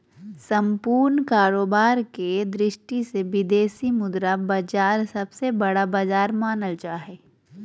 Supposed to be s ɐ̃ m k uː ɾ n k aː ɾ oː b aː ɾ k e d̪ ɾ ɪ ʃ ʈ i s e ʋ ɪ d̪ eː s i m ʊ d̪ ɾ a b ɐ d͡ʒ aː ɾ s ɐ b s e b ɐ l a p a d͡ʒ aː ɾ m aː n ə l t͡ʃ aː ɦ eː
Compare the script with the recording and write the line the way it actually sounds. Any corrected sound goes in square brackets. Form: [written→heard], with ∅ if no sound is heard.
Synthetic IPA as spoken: s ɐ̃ m [k→p] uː ɾ n k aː ɾ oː b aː ɾ k e d̪ ɾ ɪ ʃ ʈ i s e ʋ ɪ d̪ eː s i m ʊ d̪ ɾ a b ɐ d͡ʒ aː ɾ s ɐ b s e b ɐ [l→ɽ] a [p→b] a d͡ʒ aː ɾ m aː n ə l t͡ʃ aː ɦ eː